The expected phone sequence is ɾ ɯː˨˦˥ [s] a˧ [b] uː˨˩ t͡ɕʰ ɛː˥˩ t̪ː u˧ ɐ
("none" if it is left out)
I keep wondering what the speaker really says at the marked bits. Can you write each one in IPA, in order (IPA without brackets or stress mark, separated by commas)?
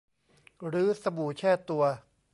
s, b